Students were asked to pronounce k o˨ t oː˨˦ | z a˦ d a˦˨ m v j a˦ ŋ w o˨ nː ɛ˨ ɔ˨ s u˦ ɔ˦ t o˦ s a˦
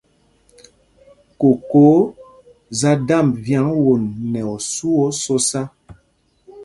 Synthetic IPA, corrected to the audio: k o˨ k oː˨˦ | z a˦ d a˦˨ m v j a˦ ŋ w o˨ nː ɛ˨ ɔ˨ s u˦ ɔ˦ s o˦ s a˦

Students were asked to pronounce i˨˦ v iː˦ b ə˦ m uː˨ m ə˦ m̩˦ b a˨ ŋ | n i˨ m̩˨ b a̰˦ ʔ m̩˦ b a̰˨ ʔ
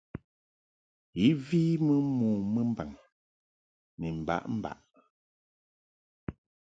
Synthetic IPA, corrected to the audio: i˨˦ v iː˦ m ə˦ m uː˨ m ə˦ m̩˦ b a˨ ŋ | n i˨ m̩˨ b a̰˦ ʔ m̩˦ b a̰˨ ʔ

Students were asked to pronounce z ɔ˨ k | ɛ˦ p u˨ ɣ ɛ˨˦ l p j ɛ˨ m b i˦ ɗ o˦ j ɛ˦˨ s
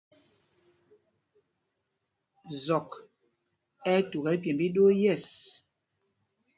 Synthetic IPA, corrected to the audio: z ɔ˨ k | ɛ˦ t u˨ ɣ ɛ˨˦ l p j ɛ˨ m b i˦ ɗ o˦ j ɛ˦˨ s

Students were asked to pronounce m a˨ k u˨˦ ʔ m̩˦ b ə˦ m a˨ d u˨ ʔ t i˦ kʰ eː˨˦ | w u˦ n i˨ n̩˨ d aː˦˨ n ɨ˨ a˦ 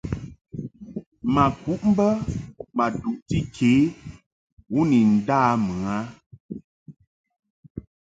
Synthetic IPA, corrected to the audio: m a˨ k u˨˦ ʔ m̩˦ b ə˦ m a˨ d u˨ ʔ t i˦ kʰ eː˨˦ | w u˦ n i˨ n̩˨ d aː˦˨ m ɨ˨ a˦

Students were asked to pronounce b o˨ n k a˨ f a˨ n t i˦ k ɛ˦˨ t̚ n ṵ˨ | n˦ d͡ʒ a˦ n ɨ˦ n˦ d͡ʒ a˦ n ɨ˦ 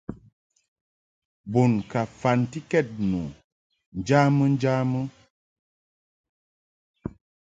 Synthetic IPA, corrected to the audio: b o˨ n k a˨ f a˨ n t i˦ k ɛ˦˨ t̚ n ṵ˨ | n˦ d͡ʒ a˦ m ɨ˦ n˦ d͡ʒ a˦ m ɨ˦

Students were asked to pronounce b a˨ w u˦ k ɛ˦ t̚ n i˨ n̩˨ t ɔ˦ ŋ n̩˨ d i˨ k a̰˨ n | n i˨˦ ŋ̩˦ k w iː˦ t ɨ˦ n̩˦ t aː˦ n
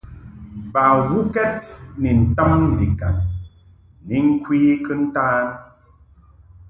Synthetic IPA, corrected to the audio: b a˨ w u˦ k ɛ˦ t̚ n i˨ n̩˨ t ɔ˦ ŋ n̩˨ d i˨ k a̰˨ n | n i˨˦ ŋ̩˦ k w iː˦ k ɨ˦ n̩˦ t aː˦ n

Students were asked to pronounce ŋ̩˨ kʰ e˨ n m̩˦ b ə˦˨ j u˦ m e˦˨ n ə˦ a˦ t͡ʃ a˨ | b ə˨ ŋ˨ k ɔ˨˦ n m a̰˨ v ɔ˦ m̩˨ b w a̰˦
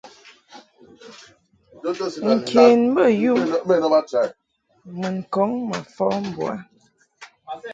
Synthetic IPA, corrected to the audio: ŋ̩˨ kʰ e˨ n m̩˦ b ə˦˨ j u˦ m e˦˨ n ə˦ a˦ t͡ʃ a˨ | m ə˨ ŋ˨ k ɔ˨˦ ŋ m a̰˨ f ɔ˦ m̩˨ b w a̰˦

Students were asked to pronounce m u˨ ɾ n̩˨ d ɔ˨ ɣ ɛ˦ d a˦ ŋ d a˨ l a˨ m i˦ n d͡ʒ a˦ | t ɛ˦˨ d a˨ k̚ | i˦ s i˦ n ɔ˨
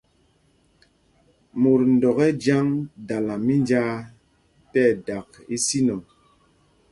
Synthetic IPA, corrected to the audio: m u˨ ɾ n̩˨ d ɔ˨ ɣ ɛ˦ d͡ʒ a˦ ŋ d a˨ l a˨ m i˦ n d͡ʒ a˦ | t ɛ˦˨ d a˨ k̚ | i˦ s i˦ n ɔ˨

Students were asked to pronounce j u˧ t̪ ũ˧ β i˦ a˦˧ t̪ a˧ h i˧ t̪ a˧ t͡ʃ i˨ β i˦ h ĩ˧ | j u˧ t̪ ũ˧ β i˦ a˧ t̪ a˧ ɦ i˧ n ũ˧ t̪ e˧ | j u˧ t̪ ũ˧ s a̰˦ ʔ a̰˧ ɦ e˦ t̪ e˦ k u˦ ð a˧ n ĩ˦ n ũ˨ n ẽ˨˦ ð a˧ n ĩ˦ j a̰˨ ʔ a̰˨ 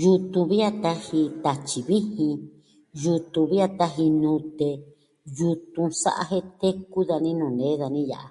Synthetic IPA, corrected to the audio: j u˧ t̪ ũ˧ β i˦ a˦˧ t̪ a˧ h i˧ t̪ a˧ t͡ʃ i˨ β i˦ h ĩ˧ | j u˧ t̪ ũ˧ β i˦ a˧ t̪ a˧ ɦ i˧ n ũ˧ t̪ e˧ | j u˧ t̪ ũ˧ s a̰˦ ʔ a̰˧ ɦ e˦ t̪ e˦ k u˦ ð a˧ n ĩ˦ n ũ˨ n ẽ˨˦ ð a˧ n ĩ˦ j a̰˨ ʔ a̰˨

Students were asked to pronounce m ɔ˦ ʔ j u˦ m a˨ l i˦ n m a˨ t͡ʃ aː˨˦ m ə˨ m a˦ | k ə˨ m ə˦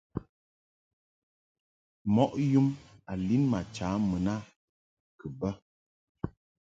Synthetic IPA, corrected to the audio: m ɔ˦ ʔ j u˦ m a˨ l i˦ n m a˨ t͡ʃ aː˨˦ m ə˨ n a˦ | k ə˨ b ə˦

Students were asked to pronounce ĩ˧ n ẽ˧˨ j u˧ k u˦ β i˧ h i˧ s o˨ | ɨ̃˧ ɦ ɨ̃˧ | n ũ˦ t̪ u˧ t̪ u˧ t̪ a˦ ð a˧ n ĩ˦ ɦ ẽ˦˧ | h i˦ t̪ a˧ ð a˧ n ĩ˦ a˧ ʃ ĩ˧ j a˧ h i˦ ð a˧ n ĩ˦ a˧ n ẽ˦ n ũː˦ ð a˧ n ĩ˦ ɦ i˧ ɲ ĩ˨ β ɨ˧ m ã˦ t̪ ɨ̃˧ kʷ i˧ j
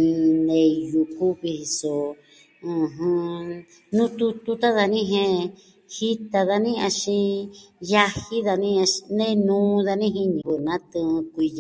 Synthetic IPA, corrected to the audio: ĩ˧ n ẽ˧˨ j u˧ k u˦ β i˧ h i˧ s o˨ | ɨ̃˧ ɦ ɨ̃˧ | n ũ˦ t̪ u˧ t̪ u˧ t̪ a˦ ð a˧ n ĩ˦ ɦ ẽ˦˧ | h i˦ t̪ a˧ ð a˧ n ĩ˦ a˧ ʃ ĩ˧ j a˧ h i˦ ð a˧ n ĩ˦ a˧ n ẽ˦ n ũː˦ ð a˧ n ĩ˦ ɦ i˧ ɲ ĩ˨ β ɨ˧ n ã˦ t̪ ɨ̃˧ kʷ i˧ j

